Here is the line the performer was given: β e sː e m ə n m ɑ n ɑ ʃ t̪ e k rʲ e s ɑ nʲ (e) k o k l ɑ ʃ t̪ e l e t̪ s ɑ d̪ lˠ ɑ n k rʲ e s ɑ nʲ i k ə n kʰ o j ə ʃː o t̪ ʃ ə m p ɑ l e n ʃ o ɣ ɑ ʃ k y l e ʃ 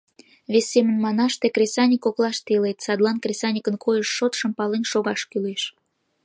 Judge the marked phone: incorrect: i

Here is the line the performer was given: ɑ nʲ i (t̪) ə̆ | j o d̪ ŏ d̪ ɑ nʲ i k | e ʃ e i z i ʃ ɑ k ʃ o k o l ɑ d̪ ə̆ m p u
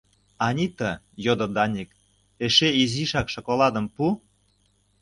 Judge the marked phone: correct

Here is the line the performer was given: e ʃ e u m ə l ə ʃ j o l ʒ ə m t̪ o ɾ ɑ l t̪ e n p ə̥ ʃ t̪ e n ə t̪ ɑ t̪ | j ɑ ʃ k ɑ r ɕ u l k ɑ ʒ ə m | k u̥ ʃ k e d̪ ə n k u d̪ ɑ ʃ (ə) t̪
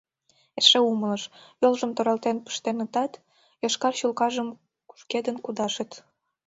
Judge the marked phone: correct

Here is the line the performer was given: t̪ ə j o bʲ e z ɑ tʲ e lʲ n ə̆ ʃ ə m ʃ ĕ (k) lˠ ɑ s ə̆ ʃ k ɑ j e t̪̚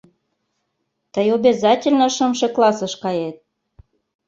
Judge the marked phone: correct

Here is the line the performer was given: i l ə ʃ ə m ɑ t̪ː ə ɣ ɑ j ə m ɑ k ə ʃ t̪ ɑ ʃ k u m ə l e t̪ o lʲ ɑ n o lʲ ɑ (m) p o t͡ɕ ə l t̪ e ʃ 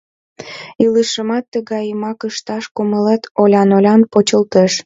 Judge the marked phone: incorrect: n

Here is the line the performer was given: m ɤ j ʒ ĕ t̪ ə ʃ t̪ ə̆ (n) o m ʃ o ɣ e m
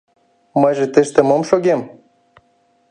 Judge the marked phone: incorrect: m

